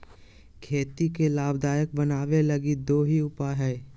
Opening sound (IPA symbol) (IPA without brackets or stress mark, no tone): kʰ